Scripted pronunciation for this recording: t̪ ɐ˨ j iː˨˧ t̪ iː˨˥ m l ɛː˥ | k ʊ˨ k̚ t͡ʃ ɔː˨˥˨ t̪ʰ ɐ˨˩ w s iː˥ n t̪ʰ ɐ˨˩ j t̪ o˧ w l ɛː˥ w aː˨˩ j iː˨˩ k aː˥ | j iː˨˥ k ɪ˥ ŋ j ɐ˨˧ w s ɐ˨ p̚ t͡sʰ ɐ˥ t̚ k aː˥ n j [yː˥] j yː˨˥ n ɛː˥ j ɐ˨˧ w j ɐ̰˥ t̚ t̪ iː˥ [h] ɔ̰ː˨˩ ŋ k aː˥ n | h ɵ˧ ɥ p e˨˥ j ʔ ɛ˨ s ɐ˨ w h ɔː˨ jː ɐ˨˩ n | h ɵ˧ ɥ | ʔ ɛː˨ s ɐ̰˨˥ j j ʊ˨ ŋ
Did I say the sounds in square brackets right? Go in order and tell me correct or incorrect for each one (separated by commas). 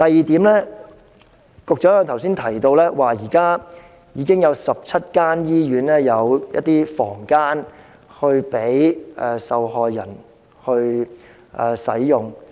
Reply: incorrect, incorrect